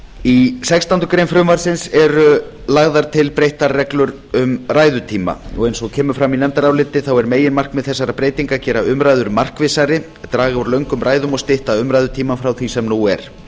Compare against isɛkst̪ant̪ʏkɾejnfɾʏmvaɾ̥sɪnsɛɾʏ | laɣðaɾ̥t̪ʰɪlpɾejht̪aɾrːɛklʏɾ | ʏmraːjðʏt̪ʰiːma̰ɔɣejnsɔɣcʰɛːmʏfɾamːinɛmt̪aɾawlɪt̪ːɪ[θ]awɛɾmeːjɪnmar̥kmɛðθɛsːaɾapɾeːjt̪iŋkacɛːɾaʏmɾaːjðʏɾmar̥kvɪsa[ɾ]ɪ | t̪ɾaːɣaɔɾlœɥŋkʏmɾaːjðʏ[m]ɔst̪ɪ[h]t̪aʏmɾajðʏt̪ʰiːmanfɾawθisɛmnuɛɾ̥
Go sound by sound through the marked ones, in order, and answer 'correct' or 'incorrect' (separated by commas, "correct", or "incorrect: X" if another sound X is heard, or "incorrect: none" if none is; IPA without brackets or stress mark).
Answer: correct, correct, correct, correct